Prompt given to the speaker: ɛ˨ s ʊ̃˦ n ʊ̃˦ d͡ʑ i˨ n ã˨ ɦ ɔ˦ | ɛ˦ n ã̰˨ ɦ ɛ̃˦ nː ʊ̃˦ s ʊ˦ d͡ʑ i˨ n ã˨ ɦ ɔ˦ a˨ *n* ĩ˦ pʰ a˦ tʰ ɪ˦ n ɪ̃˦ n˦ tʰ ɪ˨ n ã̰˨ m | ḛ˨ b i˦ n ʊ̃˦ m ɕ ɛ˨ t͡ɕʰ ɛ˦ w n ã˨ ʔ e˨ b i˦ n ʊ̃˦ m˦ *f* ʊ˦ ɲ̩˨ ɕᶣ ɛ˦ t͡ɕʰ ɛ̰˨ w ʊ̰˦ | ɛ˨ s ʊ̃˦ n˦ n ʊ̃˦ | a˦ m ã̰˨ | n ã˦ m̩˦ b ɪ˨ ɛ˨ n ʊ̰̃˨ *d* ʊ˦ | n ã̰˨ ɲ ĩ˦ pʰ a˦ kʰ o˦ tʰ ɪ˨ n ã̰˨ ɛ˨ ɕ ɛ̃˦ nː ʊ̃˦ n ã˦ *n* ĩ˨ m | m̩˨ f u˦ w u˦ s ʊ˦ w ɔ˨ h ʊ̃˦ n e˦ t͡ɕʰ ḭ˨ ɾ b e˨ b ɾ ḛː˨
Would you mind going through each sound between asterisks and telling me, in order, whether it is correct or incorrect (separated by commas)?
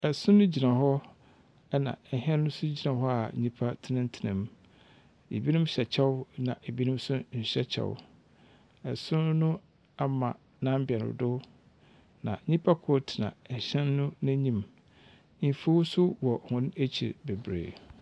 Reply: incorrect, incorrect, correct, incorrect